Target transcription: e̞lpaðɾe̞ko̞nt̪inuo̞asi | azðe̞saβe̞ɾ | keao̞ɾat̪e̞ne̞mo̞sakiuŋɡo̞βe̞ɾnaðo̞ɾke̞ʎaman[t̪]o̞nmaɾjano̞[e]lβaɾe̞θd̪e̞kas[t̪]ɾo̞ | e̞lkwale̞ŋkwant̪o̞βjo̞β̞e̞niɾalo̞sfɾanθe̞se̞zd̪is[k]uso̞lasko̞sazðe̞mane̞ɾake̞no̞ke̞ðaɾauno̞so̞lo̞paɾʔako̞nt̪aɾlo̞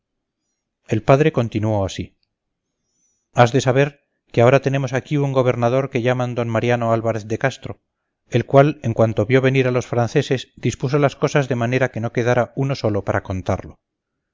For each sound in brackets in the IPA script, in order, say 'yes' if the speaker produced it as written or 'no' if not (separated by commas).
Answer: no, no, yes, no